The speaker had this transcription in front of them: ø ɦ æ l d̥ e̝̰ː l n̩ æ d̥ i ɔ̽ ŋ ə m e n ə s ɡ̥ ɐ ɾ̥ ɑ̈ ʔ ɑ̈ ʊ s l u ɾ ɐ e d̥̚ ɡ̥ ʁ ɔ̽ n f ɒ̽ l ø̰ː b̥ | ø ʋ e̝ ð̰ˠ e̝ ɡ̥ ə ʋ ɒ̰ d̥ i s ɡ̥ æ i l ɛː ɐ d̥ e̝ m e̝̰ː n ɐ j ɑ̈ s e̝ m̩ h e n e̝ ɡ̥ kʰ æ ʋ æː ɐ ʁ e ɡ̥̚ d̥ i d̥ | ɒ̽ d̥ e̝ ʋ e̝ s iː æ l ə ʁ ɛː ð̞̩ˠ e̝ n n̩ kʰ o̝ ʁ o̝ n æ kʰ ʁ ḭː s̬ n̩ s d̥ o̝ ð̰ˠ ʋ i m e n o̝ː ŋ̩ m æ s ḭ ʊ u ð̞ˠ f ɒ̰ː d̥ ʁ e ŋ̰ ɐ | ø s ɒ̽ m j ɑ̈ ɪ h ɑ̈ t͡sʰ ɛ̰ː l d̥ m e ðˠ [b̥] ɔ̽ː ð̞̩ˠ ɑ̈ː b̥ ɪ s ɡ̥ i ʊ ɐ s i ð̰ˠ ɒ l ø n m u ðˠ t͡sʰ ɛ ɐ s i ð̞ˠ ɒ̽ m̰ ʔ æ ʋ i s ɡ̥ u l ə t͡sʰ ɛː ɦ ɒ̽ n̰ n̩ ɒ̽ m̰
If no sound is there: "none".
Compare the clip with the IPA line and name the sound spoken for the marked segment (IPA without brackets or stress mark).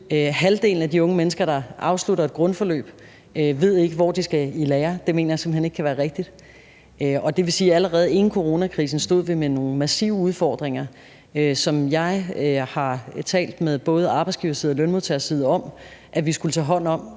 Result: b̥